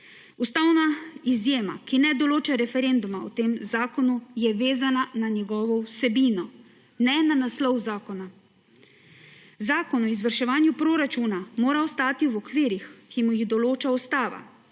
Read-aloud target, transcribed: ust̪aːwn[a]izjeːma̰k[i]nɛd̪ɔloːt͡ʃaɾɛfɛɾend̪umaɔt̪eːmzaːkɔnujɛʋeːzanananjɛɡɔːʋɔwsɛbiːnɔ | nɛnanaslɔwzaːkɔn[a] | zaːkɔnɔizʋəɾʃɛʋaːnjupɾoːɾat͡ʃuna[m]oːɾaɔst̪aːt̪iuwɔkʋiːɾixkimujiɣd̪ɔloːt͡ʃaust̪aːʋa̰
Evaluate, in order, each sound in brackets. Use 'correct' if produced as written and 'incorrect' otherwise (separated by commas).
correct, correct, correct, correct